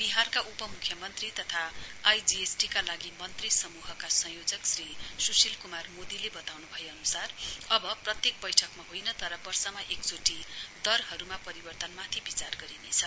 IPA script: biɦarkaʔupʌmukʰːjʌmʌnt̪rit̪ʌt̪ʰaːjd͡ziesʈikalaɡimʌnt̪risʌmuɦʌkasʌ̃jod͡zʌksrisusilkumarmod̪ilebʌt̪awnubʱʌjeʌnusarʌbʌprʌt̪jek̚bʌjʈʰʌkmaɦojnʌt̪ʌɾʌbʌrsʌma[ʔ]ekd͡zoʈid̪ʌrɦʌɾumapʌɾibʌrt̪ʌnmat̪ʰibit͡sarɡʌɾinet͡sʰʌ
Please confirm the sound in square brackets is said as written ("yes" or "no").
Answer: yes